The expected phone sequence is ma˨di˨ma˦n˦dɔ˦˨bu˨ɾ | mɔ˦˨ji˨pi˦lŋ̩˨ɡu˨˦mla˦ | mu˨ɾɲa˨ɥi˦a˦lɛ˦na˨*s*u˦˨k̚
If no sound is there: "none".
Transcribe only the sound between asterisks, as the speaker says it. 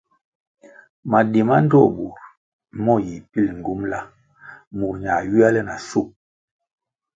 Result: s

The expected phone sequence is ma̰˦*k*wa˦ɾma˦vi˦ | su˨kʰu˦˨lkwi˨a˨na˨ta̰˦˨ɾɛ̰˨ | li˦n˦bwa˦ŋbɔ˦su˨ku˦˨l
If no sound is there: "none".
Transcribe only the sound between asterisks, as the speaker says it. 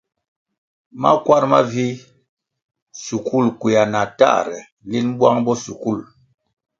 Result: k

